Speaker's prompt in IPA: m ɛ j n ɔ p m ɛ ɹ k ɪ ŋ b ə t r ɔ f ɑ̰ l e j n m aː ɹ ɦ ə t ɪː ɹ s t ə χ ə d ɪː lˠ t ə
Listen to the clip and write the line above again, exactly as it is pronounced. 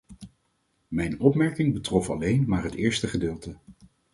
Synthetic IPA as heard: m ɛ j n ɔ p m ɛ ɹ k ɪ ŋ b ə t r ɔ f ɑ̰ l e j n m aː ɹ ɦ ə t ɪː ɹ s t ə χ ə d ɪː lˠ t ə